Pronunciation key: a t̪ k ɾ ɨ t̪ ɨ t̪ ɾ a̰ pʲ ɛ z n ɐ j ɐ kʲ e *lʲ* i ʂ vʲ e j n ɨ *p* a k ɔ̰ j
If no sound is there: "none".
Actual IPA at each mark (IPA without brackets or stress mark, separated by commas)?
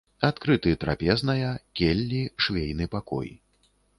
lʲː, p